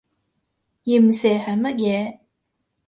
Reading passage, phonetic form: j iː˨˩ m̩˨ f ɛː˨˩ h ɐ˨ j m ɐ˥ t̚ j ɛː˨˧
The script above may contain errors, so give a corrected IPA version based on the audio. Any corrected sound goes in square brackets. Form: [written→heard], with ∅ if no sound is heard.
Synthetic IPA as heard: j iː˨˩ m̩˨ [f→s] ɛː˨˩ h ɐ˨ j m ɐ˥ t̚ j ɛː˨˧